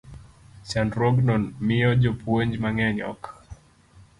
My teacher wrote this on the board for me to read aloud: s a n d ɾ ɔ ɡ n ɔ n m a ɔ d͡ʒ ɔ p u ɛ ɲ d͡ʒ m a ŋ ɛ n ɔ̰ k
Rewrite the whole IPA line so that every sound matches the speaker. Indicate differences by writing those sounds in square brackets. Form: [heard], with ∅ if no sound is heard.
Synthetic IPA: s a n d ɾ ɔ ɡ n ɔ n m [i] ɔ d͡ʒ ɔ p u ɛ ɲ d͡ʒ m a ŋ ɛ [ɲ] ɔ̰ k